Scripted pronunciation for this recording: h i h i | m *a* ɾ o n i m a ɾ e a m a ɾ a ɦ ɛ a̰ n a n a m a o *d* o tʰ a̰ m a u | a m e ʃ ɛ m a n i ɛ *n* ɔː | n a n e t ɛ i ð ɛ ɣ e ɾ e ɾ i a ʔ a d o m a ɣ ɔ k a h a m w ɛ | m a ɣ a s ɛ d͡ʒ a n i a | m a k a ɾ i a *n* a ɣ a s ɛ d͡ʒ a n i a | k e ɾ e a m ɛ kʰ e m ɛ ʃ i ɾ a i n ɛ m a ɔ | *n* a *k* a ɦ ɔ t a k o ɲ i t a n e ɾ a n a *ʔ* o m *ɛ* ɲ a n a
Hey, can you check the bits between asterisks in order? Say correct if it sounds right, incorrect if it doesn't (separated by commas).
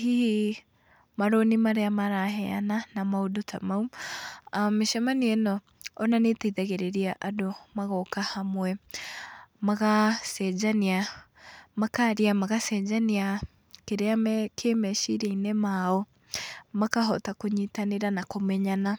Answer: correct, correct, correct, incorrect, incorrect, correct, incorrect, correct